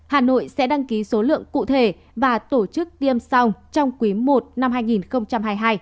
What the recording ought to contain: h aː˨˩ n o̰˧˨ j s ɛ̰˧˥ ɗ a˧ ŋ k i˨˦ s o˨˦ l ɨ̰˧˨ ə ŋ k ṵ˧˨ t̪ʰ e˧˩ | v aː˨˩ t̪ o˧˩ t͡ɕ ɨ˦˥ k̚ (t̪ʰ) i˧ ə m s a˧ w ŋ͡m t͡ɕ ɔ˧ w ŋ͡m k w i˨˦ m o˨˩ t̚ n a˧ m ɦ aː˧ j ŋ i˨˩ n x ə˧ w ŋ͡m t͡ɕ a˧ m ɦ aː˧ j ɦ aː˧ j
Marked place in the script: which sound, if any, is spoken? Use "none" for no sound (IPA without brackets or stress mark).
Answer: t̪